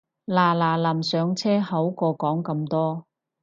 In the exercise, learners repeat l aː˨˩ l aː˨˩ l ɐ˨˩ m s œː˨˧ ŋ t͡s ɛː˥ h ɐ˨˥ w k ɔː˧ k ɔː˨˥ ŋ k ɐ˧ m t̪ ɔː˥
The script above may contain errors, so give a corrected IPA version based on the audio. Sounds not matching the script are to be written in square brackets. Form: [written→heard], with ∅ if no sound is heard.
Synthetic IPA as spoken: l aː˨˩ l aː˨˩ l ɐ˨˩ m s œː˨˧ ŋ [t͡s→t͡sʰ] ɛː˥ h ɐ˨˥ w k ɔː˧ k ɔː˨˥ ŋ k ɐ˧ m t̪ ɔː˥